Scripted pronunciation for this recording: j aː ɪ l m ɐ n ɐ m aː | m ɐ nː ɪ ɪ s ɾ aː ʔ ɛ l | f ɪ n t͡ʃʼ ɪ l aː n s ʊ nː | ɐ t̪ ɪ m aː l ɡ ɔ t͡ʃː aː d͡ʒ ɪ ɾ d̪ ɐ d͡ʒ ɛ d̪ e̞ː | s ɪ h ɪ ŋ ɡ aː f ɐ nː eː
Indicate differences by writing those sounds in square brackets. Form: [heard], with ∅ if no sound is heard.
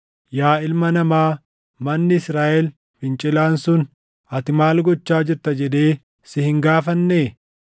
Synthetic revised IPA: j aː ɪ l m ɐ n ɐ m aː | m ɐ nː ɪ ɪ s ɾ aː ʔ ɛ l | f ɪ n t͡ʃʼ ɪ l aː n s ʊ [n] | ɐ t̪ ɪ m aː l ɡ ɔ t͡ʃː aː d͡ʒ ɪ ɾ [t̪] ɐ d͡ʒ ɛ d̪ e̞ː | s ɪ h ɪ ŋ ɡ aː f ɐ nː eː